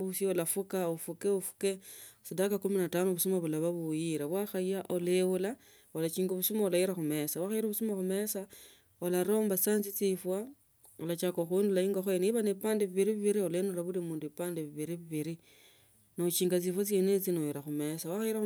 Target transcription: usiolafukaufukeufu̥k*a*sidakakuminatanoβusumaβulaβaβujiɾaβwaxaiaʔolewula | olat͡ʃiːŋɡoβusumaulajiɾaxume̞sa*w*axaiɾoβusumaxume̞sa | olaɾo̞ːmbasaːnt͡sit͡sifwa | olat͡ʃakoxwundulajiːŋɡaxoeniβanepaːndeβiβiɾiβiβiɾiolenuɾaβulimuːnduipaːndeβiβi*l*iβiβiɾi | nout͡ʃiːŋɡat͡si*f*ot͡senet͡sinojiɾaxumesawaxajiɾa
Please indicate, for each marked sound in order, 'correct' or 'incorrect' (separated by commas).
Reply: incorrect, correct, incorrect, correct